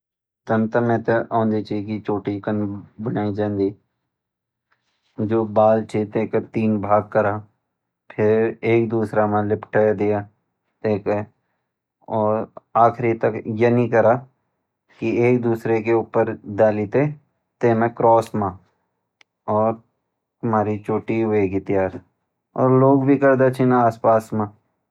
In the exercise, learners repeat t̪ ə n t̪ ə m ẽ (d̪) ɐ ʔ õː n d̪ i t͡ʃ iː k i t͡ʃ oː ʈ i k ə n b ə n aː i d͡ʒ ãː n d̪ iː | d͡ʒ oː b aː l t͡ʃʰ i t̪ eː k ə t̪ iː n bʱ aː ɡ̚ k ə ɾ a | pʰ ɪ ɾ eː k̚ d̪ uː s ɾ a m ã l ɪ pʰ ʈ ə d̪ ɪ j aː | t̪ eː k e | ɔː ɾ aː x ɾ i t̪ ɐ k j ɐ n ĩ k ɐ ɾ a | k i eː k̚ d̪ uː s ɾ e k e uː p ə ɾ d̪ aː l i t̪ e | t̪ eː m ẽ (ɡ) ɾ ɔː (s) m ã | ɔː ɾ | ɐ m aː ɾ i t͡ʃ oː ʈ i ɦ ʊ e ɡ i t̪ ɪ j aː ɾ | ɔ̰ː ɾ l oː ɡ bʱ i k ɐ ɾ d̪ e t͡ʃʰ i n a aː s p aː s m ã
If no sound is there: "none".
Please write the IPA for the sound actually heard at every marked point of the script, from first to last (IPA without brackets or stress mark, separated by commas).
t̪, k, s